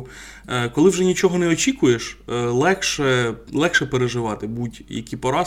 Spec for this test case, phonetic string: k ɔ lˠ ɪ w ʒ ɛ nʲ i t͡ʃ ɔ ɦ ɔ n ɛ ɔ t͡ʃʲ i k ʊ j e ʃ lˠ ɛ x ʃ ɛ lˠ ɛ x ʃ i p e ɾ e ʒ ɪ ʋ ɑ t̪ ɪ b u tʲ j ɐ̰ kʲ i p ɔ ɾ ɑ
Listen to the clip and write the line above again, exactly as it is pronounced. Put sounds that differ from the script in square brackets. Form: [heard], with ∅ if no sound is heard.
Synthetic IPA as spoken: k ɔ lˠ ɪ w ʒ ɛ nʲ i t͡ʃ ɔ ɦ ɔ n ɛ ɔ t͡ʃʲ i k ʊ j e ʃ lˠ ɛ x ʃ ɛ lˠ ɛ x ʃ [ɛ] p e ɾ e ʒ ɪ ʋ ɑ t̪ ɪ b u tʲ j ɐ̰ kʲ i p ɔ ɾ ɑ